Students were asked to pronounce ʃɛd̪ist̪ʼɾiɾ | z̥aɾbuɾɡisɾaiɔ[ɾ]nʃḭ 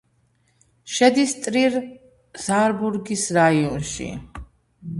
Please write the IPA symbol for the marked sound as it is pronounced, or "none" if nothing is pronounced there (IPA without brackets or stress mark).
none